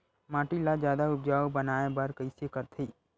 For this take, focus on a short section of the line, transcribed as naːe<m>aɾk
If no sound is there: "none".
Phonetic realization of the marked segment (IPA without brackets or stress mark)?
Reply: b